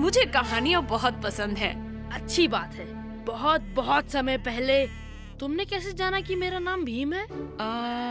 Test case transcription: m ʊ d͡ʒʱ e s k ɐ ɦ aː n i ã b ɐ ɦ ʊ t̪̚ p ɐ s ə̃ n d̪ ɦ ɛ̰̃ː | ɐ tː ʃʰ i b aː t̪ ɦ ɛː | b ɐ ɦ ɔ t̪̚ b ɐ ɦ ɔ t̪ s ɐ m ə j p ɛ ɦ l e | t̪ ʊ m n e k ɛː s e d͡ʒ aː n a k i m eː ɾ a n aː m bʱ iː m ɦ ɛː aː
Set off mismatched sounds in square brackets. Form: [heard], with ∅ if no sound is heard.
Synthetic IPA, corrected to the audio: m ʊ d͡ʒʱ e [∅] k ɐ ɦ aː n i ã b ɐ ɦ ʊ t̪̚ p ɐ s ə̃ n d̪ ɦ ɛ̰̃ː | ɐ tː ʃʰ i b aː t̪ ɦ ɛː | b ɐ ɦ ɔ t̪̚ b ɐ ɦ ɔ t̪ s ɐ m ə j p ɛ ɦ l e | t̪ ʊ m n e k ɛː s e d͡ʒ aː n a k i m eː ɾ a n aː m bʱ iː m ɦ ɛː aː